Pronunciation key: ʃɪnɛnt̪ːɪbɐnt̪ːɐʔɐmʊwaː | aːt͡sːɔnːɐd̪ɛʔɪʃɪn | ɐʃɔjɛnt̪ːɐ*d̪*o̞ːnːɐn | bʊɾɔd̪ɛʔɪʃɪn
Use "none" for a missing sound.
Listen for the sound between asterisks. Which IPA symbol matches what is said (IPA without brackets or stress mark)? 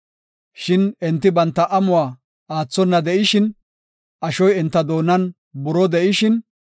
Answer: d̪